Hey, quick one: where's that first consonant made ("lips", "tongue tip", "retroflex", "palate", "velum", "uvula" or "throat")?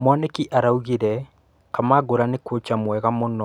lips